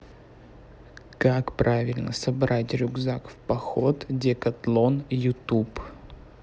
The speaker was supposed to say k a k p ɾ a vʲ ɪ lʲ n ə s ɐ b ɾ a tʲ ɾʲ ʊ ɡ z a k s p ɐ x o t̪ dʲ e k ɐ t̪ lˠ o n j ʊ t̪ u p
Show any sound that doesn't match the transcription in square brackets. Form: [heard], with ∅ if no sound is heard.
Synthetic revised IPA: k a k p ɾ a vʲ ɪ lʲ n ə s ɐ b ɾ a tʲ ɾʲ ʊ ɡ z a k [f] p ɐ x o t̪ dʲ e k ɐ t̪ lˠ o n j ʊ t̪ u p